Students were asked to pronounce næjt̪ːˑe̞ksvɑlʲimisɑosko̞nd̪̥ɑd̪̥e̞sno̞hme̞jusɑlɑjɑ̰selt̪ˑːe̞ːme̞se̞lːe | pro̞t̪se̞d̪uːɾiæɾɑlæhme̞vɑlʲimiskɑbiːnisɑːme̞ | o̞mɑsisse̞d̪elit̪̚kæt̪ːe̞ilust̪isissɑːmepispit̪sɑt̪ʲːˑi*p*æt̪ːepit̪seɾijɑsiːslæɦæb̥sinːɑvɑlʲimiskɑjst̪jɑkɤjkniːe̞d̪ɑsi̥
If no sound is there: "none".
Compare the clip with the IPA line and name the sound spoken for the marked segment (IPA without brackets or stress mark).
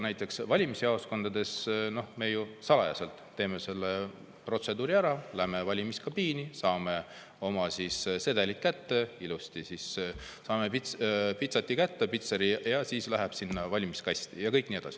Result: k